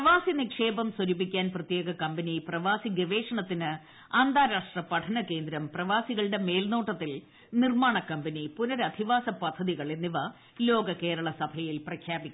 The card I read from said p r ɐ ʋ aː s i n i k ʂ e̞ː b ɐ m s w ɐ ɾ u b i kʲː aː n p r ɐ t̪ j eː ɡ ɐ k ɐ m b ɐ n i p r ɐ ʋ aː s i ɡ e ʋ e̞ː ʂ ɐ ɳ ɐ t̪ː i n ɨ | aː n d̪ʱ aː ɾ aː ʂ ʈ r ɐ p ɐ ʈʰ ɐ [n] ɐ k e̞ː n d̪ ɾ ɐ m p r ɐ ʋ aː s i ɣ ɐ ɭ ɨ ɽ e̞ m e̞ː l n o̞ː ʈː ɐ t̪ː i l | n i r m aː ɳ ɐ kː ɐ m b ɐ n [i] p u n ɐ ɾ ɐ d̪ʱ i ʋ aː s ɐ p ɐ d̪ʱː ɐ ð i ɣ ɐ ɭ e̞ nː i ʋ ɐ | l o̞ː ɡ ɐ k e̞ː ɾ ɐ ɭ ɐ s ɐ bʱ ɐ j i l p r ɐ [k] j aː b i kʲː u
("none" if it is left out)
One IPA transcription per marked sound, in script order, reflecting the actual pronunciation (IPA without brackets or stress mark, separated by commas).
n, i, kʰ